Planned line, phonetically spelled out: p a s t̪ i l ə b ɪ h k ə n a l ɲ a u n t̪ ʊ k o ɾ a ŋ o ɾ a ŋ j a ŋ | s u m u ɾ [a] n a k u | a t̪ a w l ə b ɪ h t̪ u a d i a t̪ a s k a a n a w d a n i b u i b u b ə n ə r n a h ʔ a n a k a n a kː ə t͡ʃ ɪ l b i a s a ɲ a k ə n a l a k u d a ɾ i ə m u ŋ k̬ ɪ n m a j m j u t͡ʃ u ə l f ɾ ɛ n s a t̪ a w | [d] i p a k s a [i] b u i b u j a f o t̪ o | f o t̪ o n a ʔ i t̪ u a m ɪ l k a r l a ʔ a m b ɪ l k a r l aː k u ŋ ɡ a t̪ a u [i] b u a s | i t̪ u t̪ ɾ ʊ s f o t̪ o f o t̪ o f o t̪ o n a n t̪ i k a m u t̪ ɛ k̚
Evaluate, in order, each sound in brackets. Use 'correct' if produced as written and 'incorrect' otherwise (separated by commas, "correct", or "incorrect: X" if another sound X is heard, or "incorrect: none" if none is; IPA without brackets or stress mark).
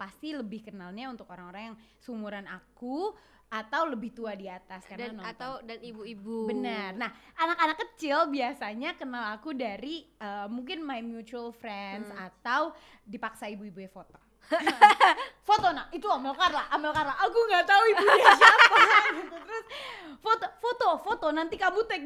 correct, correct, correct, correct